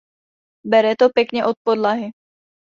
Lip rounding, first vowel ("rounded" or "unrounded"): unrounded